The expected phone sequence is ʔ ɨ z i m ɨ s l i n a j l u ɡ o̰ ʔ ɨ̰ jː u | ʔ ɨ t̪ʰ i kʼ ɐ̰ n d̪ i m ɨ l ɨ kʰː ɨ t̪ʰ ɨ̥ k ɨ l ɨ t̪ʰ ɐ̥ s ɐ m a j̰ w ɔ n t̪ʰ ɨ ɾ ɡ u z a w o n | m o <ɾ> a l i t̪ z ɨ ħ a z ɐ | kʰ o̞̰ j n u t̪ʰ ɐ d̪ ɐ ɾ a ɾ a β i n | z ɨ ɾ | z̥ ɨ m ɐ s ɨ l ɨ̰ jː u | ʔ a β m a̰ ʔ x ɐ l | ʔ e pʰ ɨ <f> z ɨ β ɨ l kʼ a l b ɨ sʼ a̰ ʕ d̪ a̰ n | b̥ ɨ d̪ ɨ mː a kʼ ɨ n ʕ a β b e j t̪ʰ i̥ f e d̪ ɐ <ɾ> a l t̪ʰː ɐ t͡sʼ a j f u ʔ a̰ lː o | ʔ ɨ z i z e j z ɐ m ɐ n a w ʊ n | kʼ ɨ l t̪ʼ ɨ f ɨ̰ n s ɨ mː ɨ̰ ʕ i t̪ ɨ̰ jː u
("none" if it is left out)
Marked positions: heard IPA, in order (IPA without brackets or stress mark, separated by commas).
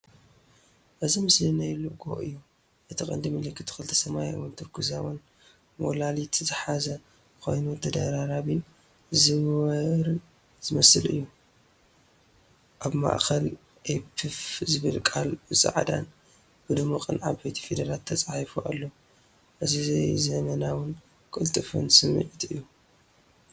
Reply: l, f, ɾ